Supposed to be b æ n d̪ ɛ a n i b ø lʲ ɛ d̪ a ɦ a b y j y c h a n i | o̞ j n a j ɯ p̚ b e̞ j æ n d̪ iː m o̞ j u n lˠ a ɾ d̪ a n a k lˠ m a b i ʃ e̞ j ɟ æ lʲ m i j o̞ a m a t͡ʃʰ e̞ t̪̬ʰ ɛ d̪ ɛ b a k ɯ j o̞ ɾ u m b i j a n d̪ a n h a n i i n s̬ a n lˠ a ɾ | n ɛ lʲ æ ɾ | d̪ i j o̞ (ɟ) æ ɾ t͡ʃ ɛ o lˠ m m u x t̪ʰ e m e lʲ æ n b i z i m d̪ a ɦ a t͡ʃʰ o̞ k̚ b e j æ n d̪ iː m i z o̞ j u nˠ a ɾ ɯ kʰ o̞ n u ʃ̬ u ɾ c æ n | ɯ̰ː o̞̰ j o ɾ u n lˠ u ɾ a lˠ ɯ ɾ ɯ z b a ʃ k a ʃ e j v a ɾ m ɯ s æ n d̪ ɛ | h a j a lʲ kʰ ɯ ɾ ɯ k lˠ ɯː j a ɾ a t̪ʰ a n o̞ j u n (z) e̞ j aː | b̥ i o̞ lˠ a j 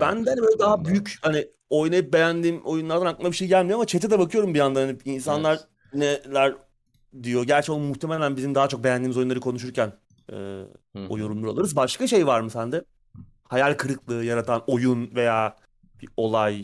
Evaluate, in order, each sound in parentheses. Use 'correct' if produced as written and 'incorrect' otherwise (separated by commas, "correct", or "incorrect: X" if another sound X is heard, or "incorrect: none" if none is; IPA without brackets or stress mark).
correct, incorrect: v